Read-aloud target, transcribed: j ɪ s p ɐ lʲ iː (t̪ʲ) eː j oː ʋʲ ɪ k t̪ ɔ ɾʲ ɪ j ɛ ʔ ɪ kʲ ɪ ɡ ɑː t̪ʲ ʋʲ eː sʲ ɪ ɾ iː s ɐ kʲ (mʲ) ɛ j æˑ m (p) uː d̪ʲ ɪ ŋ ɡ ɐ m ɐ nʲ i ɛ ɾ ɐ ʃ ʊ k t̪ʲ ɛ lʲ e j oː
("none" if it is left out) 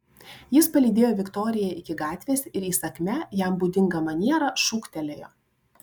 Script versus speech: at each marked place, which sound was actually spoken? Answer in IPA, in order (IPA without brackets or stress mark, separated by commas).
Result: d̪ʲ, mʲ, b